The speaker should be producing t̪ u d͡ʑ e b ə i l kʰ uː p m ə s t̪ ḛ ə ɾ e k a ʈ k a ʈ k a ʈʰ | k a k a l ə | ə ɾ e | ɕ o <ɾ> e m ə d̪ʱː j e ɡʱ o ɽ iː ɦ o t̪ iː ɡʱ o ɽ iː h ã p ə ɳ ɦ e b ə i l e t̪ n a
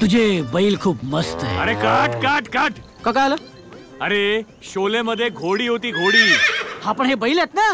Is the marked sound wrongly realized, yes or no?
yes